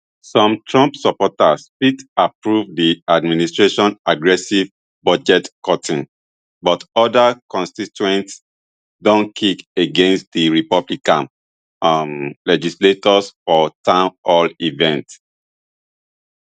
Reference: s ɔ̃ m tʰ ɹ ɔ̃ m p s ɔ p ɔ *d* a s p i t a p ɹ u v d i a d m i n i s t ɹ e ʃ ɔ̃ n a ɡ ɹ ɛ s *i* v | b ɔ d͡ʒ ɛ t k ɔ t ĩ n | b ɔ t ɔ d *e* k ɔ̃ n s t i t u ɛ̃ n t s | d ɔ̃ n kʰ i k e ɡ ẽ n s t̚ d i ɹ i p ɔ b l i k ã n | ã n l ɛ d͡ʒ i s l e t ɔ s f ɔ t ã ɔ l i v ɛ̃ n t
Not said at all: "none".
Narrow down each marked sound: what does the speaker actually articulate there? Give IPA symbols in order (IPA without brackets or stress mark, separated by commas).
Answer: t, i, a